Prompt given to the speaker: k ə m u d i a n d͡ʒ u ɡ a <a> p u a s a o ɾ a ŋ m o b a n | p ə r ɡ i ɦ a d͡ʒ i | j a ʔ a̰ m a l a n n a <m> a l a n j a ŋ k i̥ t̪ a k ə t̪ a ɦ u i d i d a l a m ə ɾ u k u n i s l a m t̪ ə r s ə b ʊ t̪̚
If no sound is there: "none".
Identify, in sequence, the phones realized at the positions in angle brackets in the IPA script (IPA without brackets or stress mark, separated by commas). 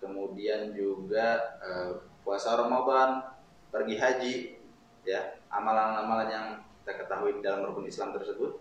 ə, m